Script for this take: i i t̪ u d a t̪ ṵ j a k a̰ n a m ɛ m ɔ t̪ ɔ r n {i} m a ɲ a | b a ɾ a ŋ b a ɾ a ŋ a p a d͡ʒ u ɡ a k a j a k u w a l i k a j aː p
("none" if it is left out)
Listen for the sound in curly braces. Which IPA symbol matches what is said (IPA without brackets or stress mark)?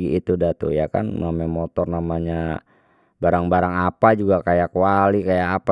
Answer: a